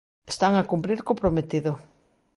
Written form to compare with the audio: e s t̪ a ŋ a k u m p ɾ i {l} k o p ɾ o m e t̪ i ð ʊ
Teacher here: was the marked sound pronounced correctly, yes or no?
no